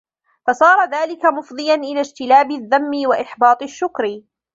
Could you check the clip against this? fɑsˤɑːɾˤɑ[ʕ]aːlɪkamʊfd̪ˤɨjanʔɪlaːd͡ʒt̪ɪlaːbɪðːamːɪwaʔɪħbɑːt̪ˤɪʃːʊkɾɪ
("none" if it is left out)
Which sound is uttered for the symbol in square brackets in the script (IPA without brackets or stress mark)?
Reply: ð